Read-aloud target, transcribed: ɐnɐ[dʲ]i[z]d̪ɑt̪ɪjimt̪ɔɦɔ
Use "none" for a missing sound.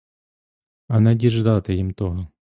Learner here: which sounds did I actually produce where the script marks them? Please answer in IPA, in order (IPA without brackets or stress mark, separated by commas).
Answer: dʲ, ʒ